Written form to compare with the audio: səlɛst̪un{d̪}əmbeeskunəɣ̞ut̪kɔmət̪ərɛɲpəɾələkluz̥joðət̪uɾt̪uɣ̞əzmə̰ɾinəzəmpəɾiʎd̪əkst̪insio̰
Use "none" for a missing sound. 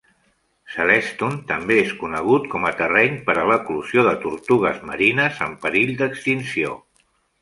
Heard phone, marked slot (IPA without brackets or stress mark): t̪